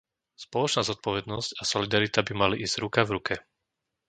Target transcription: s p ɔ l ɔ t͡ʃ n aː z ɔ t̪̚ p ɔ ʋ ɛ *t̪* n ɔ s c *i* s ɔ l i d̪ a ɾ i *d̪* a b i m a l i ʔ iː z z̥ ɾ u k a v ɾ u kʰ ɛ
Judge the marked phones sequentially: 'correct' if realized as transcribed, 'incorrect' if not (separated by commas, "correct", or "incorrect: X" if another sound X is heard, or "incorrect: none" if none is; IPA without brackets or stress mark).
incorrect: d̪, incorrect: a, incorrect: t̪